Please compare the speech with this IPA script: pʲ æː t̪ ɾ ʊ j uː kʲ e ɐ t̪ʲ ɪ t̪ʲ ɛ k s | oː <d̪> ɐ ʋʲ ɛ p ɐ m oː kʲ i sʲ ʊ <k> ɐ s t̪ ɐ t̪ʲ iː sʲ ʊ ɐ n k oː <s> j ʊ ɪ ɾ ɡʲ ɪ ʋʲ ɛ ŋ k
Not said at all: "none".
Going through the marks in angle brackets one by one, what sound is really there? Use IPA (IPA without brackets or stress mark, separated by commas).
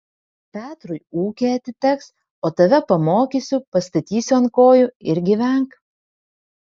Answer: t̪, p, none